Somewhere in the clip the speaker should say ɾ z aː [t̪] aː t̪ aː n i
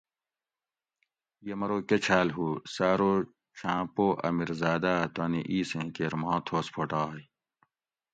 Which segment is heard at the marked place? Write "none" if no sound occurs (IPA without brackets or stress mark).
d̪